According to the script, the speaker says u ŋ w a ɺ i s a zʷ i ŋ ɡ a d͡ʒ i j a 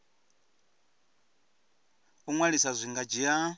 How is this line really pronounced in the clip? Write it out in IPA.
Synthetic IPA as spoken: u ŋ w a ɺ i s a zʷ i ŋ ɡ a d͡ʒ i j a